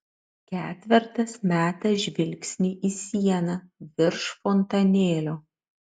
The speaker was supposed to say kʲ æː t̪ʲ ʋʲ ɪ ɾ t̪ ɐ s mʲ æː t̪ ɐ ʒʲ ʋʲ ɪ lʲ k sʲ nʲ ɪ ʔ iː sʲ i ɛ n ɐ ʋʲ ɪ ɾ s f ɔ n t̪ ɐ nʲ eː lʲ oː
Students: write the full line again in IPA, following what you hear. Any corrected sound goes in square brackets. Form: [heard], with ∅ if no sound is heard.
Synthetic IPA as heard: kʲ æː t̪ʲ ʋʲ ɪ ɾ t̪ ɐ s mʲ æː t̪ ɐ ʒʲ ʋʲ ɪ lʲ k sʲ nʲ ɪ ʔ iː sʲ i ɛ n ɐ ʋʲ ɪ ɾ [ʃ] f ɔ n t̪ ɐ nʲ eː lʲ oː